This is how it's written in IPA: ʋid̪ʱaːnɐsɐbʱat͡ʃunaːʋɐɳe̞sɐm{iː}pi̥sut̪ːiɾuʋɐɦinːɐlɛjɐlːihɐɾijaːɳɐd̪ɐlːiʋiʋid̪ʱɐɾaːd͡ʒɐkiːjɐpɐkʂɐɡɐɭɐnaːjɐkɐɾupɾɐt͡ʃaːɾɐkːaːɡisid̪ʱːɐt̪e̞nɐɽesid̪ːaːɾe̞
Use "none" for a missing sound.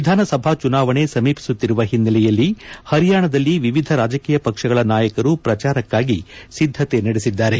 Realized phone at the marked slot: iː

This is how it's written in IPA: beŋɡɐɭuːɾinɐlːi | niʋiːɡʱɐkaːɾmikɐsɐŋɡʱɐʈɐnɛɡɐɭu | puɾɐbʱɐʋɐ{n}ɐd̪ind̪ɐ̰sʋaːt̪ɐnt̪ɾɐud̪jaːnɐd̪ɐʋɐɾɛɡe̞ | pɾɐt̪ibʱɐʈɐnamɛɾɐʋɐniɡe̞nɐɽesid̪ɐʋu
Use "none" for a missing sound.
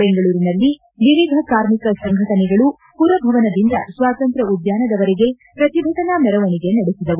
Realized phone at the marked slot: n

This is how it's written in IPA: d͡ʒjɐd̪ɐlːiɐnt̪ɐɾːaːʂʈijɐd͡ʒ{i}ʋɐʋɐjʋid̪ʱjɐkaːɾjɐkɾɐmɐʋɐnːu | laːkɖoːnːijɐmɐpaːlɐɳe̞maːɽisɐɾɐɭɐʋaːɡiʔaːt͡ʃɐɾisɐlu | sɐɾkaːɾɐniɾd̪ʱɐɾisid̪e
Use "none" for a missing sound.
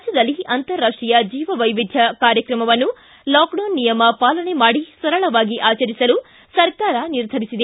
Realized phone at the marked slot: iː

